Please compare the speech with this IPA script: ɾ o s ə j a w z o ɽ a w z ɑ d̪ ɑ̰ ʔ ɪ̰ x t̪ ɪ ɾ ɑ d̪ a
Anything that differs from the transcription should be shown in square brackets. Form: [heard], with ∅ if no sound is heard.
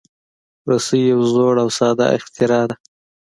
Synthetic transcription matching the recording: ɾ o s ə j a w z o ɽ a w [s] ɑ d̪ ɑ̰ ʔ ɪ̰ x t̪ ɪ ɾ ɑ d̪ a

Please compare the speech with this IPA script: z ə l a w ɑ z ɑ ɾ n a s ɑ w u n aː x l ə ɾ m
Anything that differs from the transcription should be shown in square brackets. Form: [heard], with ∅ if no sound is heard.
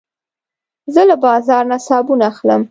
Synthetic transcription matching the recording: z ə l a [b] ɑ z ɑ ɾ n a s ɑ [b] u n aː x l ə [∅] m

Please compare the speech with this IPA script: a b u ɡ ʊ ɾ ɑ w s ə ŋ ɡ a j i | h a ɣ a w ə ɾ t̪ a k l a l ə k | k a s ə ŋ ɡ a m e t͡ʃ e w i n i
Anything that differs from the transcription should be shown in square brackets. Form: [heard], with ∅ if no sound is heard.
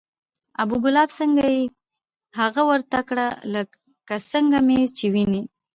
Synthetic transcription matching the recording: a b u ɡ ʊ [l] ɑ [b] s ə ŋ ɡ a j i | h a ɣ a w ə ɾ t̪ a k [ɽ] a l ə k | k a s ə ŋ ɡ a m e t͡ʃ e w i n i

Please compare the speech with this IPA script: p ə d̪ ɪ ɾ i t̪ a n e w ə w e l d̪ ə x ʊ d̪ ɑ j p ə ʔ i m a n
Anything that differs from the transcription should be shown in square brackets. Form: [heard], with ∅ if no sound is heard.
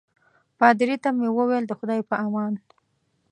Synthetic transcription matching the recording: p [ɑ] d̪ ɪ ɾ i t̪ a [m] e w ə w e l d̪ ə x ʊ d̪ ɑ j p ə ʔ [a] m [ɑ] n

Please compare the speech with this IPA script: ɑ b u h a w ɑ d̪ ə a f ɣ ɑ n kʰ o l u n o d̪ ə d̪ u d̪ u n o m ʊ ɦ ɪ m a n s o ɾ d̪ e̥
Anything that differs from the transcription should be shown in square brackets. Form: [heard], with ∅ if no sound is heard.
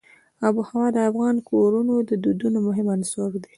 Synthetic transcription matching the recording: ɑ b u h a w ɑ d̪ ə a f ɣ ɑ n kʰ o [ɾ] u n o d̪ ə d̪ u d̪ u n o m ʊ ɦ ɪ m a n s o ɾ d̪ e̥

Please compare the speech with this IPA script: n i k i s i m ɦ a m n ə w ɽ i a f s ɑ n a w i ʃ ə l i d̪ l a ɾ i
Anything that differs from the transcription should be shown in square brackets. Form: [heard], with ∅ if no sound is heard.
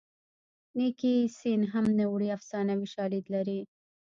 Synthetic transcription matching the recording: n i k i s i [n] ɦ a m n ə w ɽ i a f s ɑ n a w i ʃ [ɑ] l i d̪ l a ɾ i

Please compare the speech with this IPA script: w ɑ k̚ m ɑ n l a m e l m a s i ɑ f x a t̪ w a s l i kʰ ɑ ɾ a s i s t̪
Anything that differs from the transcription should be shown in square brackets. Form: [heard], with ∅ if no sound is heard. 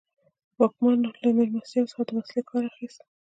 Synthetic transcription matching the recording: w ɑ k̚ m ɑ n l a m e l m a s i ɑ [s] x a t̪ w a s l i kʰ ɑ ɾ a [x] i s t̪

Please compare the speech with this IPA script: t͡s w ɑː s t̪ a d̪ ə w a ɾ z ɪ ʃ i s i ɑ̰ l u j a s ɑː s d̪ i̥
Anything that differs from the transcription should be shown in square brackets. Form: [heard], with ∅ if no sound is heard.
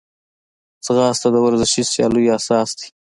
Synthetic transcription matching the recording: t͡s [ɣ] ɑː s t̪ a d̪ ə w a ɾ z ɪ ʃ i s [j] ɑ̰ l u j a s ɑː s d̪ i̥

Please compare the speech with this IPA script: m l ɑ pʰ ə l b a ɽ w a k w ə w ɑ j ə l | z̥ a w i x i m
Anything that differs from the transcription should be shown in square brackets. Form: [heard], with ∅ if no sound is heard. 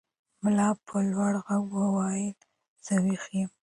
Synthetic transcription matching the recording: m l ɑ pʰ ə l [w] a ɽ [ɣ] a [ɡ] w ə w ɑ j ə l | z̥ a w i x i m

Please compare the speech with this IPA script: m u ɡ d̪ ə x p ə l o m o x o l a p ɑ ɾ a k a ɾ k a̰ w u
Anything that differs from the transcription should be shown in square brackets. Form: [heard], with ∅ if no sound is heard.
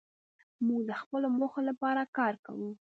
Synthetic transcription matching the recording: m u ɡ d̪ ə x p ə l o m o x o l a p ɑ ɾ a k [ɑ] ɾ k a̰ w u

